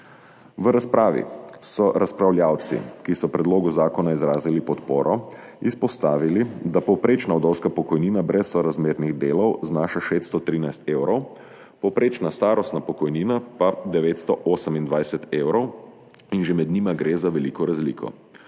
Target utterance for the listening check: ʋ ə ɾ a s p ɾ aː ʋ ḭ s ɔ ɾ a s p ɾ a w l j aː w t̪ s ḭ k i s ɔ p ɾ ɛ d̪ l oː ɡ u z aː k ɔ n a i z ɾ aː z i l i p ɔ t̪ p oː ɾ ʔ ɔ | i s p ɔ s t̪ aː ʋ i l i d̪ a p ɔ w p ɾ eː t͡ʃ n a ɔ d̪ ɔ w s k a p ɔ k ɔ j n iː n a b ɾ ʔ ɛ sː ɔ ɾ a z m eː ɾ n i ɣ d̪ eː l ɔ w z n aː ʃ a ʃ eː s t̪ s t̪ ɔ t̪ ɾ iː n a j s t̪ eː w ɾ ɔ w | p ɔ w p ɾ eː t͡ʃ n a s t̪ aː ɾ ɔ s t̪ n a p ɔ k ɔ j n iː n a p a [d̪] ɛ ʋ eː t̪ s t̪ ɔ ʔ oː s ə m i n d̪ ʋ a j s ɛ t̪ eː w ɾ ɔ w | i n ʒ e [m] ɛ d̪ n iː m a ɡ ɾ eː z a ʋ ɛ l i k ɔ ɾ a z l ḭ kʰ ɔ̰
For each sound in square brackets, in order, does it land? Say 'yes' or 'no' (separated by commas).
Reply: yes, yes